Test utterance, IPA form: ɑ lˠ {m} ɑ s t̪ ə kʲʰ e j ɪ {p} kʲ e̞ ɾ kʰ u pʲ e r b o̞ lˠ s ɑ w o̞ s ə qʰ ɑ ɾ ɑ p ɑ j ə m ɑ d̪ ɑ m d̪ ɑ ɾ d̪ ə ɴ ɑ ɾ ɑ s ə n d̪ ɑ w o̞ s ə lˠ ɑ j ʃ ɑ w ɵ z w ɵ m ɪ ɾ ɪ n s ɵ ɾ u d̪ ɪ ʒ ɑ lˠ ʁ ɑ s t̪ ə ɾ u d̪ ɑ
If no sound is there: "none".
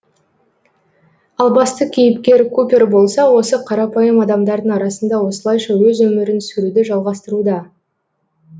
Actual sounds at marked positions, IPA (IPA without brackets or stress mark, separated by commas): b, p